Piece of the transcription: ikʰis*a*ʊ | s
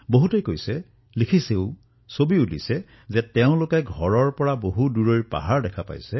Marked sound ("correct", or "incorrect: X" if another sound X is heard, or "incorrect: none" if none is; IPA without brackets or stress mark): incorrect: e